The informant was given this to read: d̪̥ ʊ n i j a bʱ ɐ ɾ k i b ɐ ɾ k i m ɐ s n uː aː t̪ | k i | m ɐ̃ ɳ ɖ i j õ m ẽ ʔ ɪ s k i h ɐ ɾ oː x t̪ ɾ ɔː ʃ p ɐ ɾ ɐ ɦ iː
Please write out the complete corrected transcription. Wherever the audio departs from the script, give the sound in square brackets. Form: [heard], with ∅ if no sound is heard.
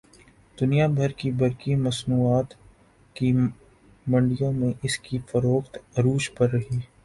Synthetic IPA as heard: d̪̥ ʊ n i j a bʱ ɐ ɾ k i b ɐ ɾ k i m ɐ s n uː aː t̪ | k i | m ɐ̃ ɳ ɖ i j õ m ẽ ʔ ɪ s k i [f] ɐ ɾ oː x t̪ ɾ [uː] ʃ p ɐ [ɾː] ɐ ɦ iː

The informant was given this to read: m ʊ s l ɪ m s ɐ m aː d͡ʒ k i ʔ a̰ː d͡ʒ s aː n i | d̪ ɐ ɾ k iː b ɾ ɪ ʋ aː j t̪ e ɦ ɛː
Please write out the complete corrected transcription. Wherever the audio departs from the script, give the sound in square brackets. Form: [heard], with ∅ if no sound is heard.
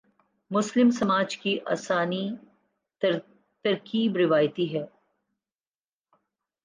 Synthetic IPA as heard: m ʊ s l ɪ m s ɐ m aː d͡ʒ k i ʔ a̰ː [∅] s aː n i | [t̪] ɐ ɾ k iː b ɾ ɪ ʋ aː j t̪ [i] ɦ ɛː

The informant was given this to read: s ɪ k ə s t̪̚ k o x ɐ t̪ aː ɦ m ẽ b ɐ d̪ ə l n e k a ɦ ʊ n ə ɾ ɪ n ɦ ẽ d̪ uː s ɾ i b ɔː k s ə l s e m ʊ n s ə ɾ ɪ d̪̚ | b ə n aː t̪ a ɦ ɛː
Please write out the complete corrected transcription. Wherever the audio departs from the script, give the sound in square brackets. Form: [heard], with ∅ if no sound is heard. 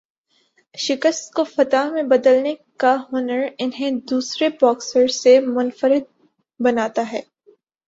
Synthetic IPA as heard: [ʃ] ɪ k ə s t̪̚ k o [f] ɐ t̪ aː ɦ m ẽ b ɐ d̪ ə l n e k a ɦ ʊ n ə ɾ ɪ n ɦ ẽ d̪ uː s ɾ [e] b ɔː k s ə [ɾ] s e m ʊ n [f] ə ɾ ɪ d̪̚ | b [ɐ] n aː t̪ a ɦ ɛː

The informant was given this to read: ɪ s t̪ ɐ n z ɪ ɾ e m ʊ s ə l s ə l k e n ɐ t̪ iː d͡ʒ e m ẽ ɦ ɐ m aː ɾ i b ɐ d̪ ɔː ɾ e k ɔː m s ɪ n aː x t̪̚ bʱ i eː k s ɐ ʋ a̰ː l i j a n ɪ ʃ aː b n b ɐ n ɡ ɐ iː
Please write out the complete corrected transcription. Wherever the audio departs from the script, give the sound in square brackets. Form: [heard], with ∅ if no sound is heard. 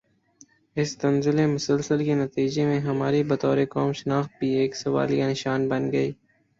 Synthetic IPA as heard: ɪ s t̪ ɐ n z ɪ [l] e m ʊ s ə l s ə l k e n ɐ t̪ iː d͡ʒ e m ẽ ɦ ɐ m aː ɾ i b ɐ [t̪] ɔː ɾ e k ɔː m [ʃ] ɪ n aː x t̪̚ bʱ i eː k s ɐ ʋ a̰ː l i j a n ɪ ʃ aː [∅] n b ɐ n ɡ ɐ iː

